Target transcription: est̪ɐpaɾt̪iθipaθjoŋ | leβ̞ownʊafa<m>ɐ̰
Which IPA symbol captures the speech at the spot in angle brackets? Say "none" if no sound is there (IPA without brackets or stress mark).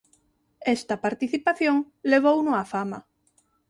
m